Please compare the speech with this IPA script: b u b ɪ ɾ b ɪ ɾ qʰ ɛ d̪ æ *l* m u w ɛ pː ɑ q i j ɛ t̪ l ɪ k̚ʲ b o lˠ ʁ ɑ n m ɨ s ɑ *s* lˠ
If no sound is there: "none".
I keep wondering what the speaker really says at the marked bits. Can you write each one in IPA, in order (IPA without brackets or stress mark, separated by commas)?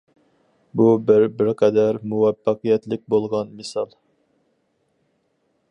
ɾ, none